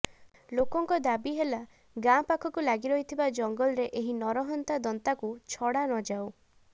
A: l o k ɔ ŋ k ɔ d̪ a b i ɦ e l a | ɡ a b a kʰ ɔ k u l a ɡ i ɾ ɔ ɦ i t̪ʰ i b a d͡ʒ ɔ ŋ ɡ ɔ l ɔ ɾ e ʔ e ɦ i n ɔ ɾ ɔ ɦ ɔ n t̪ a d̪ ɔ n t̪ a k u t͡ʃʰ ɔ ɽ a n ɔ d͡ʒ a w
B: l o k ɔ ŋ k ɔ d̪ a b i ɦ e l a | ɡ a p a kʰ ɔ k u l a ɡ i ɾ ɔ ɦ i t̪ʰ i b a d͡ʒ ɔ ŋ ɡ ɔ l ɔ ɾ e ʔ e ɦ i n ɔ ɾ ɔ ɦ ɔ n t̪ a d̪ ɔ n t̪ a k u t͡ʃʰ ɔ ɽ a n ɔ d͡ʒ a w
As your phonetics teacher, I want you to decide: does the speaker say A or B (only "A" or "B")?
B